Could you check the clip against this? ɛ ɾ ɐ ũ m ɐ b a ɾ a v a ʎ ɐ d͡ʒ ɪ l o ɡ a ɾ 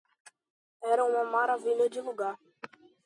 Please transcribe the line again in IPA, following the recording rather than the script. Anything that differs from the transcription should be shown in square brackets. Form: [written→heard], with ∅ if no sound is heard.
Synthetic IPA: ɛ ɾ ɐ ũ m ɐ [b→m] a ɾ a v [a→i] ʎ ɐ d͡ʒ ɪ l [o→u] ɡ a ɾ